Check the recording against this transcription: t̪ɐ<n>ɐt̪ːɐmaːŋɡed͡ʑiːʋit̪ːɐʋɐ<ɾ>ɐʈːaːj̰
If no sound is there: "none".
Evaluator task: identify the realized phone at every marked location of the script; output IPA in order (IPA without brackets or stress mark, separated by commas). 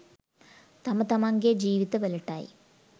m, l